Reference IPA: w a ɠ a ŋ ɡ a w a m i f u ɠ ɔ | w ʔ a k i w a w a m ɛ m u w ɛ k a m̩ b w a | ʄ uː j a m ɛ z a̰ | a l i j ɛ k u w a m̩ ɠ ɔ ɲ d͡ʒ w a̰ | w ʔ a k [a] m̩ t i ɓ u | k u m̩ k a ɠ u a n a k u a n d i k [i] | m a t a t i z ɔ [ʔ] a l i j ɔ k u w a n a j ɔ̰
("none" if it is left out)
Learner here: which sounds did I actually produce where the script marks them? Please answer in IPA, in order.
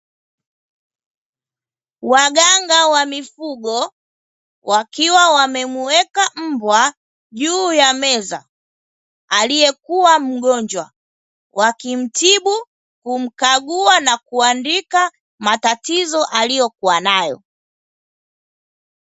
i, a, ʔ

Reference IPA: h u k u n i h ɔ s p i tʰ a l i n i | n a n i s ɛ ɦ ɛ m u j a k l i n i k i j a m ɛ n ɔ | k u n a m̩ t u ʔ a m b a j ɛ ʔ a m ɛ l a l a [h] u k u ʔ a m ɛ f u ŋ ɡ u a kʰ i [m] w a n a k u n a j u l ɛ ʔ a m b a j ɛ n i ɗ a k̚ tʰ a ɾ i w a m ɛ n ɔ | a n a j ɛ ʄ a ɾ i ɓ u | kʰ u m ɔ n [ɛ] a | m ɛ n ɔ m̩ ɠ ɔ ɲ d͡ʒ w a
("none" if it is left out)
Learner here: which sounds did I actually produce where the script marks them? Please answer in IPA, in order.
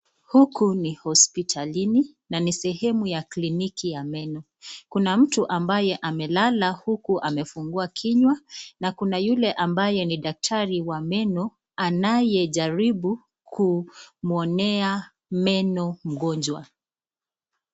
h, ɲ, ɛ

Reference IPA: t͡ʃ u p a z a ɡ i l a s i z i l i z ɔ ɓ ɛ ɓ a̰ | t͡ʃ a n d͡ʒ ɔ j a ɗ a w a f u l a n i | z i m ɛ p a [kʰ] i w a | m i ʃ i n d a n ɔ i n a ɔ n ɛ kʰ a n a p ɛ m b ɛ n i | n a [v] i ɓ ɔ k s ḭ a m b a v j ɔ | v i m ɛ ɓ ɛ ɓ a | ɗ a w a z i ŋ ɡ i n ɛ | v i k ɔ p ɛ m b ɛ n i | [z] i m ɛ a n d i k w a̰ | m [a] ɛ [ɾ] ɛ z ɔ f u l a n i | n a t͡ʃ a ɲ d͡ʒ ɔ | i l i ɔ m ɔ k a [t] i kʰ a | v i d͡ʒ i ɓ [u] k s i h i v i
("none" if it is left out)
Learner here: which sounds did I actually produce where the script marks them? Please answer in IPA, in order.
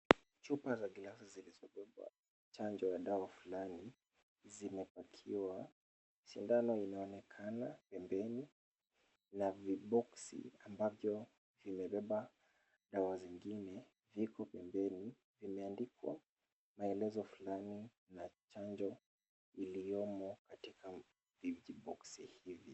kʰ, v, v, a, l, t, ɔ

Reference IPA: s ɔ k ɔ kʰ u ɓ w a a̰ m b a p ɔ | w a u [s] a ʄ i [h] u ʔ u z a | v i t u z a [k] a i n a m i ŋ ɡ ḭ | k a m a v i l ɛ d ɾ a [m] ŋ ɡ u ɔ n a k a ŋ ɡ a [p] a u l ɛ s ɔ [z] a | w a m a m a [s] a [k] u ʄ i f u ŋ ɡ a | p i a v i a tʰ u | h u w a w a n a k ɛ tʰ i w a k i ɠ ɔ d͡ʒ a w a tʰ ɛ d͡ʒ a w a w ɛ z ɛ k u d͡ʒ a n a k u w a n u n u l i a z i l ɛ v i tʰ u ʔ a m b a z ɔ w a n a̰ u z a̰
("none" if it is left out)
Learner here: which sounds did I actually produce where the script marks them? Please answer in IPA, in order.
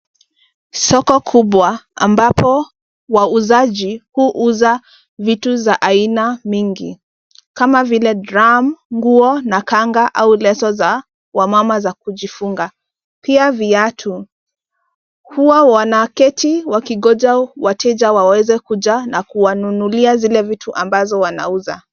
z, h, ʔ, m, ʔ, z, z, k

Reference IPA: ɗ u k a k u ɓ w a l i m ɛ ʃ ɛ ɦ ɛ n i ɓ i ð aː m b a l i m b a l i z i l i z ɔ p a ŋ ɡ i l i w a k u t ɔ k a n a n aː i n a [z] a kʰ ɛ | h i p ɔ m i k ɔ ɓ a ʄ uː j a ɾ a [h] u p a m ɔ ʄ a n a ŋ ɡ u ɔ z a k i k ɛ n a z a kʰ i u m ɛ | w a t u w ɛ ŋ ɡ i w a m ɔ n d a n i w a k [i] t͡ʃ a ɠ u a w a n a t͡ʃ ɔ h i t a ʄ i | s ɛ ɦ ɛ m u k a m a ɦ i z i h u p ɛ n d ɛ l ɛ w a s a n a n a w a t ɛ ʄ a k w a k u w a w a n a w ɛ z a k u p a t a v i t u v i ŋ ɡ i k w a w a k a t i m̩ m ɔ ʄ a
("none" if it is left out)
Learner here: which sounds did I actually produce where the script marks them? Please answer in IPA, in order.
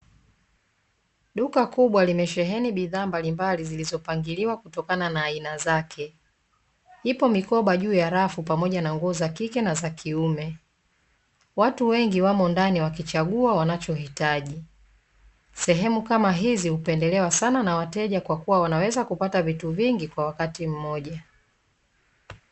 z, f, i

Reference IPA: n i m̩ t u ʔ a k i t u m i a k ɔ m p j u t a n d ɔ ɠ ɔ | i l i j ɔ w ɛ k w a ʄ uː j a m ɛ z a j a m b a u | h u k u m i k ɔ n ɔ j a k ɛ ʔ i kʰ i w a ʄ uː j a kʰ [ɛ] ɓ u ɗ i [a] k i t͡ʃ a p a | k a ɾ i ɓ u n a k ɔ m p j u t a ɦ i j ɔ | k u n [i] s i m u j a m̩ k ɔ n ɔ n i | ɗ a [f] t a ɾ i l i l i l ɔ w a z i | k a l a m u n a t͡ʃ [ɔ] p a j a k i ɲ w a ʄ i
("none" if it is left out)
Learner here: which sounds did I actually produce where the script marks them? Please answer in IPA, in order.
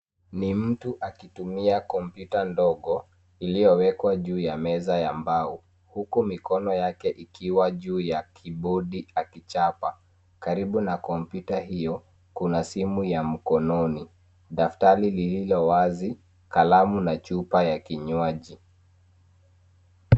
i, a, a, f, u

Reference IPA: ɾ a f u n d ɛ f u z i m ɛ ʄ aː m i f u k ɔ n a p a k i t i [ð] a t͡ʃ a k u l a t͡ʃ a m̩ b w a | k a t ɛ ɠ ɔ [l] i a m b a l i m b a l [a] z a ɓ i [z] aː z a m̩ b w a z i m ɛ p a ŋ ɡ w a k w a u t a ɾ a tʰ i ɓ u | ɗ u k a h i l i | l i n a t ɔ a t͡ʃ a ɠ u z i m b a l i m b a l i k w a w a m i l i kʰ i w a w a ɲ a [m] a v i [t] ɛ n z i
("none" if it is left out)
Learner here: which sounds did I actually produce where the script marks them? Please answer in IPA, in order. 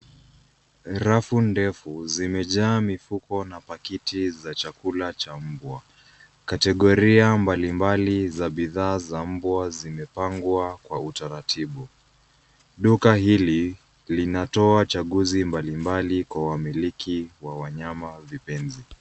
z, ɾ, i, ð, m, p

